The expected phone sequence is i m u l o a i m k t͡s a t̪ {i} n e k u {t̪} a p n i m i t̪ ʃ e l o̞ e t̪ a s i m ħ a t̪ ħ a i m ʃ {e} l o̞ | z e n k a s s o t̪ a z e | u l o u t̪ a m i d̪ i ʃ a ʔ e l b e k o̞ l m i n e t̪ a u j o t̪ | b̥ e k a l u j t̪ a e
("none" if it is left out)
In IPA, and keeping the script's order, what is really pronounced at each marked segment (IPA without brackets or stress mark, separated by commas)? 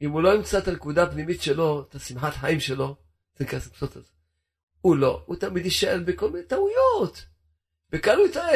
a, d̪, e